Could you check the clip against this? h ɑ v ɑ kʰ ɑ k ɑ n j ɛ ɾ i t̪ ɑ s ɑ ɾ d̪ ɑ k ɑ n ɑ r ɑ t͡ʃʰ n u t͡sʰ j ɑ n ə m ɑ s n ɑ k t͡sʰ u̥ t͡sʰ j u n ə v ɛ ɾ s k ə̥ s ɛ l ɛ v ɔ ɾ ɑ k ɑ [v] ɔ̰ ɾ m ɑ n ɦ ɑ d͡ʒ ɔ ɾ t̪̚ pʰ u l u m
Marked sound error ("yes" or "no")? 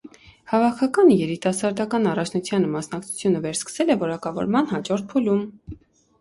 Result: no